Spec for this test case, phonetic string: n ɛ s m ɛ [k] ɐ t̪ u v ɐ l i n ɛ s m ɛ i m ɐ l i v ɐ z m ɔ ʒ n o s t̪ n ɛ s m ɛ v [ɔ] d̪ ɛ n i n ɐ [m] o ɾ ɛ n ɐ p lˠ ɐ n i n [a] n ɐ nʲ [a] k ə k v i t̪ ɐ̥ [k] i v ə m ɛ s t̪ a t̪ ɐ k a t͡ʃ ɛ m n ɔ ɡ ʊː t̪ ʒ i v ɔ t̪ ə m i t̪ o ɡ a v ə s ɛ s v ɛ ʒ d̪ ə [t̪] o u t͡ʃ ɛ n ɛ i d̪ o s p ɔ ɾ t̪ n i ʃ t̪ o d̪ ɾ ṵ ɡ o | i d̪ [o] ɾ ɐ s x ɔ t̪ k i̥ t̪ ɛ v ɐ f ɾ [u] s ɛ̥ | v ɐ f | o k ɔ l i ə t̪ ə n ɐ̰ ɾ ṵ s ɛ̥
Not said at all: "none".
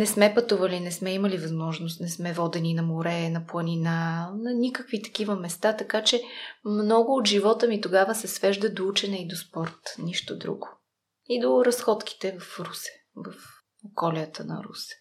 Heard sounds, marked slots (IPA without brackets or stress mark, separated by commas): p, ɔ, m, a, i, k, d̪, o, u